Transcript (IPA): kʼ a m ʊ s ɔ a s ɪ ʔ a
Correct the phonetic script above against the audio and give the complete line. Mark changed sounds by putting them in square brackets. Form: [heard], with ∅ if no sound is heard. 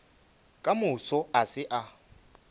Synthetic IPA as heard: kʼ a m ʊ s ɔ a s ɪ ʔ a